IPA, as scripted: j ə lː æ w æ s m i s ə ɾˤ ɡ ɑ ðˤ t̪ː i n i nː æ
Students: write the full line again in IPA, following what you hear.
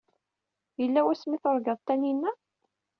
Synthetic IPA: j ə lː æ w æ s m i θ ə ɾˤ ɡ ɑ ðˤ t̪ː æ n i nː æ

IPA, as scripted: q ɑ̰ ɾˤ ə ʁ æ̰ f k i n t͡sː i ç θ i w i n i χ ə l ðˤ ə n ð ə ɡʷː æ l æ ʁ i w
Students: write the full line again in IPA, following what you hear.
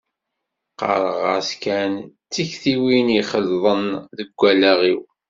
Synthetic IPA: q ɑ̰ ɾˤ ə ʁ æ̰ s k æ n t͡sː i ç θ i w i n i χ ə l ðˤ ə n ð ə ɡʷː æ l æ ʁ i w

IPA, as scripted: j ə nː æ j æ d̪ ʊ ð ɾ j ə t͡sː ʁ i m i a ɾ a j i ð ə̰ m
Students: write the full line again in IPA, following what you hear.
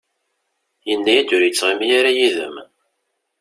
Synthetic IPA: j ə nː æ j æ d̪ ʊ ɾ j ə t͡sː ʁ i m j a ɾ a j i ð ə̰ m

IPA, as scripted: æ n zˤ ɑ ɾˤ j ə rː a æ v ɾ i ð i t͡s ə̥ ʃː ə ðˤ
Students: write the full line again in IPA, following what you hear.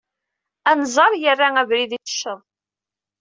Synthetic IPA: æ n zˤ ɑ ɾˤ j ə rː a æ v ɾ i ð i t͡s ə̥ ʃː ə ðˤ

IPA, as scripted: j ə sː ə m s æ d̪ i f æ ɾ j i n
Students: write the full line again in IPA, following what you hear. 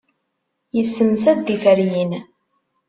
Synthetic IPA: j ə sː ə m s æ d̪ i f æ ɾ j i n

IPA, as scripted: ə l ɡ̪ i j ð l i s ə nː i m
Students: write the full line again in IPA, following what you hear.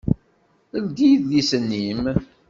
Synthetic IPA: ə l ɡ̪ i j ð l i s ə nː i m

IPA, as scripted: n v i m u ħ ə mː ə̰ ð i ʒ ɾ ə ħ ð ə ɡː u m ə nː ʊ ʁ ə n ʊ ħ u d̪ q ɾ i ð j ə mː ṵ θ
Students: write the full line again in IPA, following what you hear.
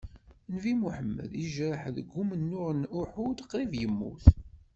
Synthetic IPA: n v i m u ħ ə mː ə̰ ð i ʒ ɾ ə ħ ð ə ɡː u m ə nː ʊ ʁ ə n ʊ ħ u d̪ q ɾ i v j ə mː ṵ θ

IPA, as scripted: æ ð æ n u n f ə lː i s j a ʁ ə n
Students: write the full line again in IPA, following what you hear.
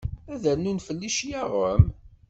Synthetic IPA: æ ð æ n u n f ə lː i ʃ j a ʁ ə m

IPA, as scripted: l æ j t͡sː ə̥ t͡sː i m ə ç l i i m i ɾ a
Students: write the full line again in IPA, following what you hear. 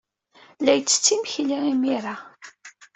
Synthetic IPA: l æ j t͡sː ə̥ t͡sː i m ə ç l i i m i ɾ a

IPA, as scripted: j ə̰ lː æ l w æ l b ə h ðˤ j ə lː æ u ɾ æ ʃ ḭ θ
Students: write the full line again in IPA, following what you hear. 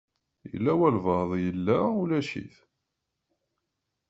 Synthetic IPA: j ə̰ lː æ w æ l v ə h ðˤ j ə lː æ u l æ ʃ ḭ θ

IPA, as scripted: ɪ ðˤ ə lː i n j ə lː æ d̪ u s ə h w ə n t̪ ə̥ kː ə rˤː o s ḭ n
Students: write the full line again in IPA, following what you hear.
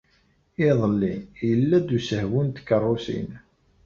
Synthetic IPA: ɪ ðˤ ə lː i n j ə lː æ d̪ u s ə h w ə n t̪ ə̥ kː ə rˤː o s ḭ n

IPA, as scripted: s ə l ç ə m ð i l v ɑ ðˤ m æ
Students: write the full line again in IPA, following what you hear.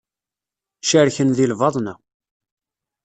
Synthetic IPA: ʃ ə ɾ ç ə n ð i l v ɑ ðˤ n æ

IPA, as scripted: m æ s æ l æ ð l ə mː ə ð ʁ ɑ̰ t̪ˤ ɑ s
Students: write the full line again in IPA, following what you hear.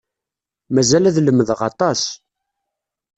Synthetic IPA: m æ z æ l æ ð l ə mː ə ð ʁ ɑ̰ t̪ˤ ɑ s

